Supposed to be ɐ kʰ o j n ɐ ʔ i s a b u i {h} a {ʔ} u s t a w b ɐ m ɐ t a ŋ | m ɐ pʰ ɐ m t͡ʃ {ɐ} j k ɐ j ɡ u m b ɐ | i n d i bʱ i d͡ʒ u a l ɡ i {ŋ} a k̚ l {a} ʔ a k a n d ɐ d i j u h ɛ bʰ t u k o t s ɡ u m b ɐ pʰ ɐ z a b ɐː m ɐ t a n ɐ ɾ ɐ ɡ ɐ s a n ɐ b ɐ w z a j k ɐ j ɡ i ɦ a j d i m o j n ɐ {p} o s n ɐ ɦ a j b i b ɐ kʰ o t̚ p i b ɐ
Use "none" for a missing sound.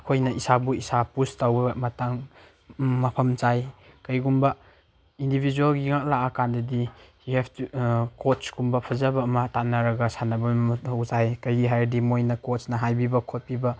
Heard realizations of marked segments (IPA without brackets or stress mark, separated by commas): s, p, a, ŋ, a, k